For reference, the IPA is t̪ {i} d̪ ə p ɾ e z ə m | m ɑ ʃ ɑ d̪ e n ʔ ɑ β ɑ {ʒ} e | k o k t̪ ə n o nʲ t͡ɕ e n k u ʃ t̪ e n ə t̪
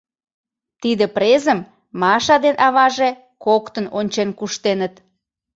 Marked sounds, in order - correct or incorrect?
correct, correct

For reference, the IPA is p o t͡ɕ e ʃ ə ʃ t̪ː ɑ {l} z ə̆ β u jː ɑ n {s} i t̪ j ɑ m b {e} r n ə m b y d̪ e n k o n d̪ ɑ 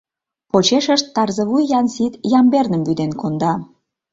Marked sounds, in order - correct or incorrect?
incorrect, correct, correct

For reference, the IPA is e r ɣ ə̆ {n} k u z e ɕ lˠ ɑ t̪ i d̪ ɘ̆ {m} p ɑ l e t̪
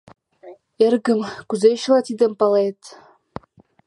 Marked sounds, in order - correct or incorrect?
incorrect, correct

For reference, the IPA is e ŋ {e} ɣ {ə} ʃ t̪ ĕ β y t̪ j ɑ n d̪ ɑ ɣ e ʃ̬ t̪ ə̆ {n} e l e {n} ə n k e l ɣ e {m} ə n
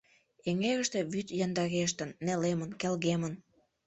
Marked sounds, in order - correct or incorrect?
correct, correct, incorrect, incorrect, correct

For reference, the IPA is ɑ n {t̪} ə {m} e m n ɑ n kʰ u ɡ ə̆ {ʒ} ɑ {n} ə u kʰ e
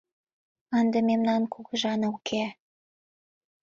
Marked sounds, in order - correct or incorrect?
incorrect, correct, correct, correct

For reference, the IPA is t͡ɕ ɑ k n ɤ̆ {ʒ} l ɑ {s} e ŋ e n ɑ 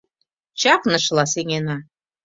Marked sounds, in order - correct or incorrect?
incorrect, correct

